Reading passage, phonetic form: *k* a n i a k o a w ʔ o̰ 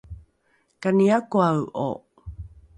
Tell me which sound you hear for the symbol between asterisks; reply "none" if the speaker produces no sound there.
k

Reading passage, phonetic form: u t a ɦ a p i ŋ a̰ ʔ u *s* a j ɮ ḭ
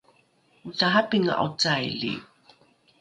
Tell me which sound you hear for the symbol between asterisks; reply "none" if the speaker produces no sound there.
t͡s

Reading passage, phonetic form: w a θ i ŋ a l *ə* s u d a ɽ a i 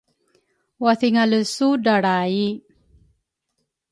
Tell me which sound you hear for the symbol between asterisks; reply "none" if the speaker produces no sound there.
ə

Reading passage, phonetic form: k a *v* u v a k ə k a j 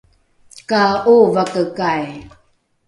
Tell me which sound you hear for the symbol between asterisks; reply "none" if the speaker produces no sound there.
none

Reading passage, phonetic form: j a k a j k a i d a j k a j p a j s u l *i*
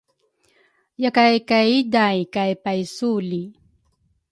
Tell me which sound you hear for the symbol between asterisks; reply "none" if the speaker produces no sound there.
i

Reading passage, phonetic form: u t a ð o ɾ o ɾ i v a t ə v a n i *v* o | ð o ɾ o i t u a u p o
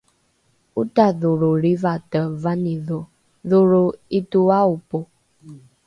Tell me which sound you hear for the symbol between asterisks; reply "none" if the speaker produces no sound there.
ð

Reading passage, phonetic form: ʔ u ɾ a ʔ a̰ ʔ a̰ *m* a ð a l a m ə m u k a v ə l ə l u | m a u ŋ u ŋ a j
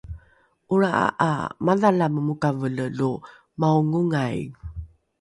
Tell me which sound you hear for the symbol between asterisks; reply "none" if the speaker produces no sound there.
m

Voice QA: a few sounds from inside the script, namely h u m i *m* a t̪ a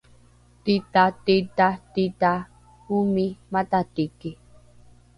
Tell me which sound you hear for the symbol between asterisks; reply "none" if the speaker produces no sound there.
m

